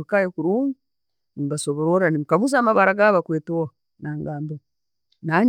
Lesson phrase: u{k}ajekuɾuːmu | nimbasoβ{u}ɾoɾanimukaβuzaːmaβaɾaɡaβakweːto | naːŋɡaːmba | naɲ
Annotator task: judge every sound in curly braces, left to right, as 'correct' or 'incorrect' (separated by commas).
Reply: correct, incorrect